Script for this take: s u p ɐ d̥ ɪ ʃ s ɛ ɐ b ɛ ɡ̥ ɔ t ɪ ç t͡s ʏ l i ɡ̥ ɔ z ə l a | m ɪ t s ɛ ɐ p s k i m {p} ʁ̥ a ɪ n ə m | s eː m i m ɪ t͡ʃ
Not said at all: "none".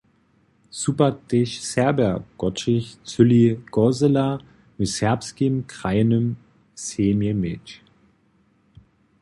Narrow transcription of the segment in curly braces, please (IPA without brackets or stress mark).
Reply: k